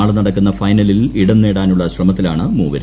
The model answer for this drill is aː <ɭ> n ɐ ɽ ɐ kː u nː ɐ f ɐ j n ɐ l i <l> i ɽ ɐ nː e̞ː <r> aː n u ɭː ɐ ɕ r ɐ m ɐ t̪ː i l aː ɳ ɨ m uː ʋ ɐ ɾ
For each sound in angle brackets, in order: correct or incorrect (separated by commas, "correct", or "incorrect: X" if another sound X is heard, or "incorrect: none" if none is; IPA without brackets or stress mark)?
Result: correct, correct, incorrect: ɽ